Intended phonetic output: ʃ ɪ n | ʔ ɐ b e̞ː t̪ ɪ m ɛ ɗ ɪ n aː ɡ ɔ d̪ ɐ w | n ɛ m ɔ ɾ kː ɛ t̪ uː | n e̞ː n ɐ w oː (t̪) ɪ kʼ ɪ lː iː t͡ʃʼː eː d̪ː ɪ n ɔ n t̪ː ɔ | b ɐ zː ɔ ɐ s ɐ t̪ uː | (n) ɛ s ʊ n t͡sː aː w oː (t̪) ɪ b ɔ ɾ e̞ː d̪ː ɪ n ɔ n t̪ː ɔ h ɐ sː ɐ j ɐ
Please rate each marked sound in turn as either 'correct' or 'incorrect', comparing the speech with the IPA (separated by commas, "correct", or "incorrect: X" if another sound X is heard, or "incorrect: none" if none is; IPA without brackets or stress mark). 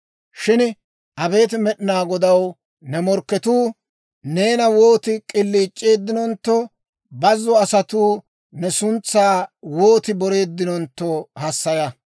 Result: correct, correct, correct